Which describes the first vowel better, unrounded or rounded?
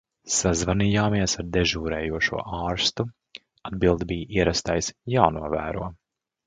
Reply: unrounded